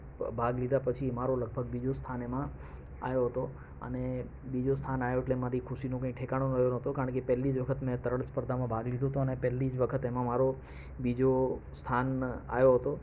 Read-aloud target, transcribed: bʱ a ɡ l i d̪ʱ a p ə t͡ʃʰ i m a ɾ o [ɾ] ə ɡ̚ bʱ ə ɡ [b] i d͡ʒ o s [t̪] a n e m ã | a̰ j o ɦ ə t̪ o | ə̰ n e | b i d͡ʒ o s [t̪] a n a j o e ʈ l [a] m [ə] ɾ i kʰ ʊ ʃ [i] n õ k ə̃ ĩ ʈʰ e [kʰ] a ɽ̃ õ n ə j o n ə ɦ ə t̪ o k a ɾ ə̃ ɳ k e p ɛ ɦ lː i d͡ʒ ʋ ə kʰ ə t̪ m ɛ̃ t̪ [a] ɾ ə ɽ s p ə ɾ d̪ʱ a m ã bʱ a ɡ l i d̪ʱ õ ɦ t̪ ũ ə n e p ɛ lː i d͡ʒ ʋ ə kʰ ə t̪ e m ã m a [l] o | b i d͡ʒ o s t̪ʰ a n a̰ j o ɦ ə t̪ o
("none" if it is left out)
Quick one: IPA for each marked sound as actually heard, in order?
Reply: l, b, t̪ʰ, t̪ʰ, e, a, i, k, ə, ɾ

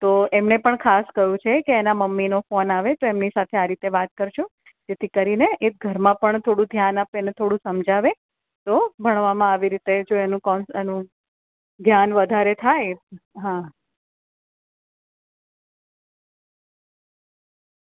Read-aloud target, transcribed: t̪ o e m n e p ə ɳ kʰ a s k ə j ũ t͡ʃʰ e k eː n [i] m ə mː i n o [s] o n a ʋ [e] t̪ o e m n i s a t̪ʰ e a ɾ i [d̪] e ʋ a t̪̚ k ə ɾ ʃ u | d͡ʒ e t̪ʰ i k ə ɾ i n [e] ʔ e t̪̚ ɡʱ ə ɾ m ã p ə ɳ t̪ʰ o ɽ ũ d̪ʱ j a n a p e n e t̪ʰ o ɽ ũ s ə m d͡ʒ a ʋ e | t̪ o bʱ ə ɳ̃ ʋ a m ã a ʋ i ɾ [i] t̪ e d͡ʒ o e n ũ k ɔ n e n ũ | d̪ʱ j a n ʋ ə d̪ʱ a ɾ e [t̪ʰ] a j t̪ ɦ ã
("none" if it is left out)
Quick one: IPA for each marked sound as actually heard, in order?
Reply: a, f, e, t̪, e, i, t̪ʰ

